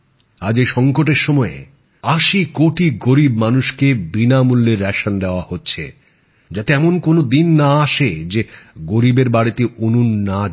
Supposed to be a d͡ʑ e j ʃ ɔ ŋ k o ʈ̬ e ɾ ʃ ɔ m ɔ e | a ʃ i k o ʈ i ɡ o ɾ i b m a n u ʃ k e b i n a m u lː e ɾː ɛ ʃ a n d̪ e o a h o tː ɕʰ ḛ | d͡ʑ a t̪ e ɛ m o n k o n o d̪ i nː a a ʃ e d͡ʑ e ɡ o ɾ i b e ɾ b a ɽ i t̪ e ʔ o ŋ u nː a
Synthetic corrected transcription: a d͡ʑ e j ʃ ɔ ŋ k o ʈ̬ e ɾ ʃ ɔ m ɔ e | a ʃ i k o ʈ i ɡ o ɾ i b m a n u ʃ k e b i n a m u lː e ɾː ɛ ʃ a n d̪ e o a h o tː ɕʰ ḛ | d͡ʑ a t̪ e ɛ m o n k o n o d̪ i nː a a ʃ e d͡ʑ e ɡ o ɾ i b e ɾ b a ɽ i t̪ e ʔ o n u nː a